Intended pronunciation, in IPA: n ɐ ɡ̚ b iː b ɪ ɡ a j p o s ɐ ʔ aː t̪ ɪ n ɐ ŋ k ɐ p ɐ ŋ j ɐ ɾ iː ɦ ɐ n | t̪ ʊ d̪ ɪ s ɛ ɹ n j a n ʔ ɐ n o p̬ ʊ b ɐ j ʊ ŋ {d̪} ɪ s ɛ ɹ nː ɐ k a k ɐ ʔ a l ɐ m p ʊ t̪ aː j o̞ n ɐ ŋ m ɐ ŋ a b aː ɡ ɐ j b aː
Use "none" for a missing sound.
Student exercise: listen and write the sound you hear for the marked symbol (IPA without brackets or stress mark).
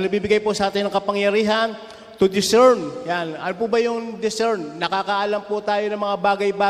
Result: d̪